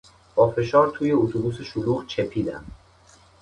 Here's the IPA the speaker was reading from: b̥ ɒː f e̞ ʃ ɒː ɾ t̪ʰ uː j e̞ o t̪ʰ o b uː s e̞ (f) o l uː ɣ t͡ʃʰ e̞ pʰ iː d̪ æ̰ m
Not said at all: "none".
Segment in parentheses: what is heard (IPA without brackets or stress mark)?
ʃ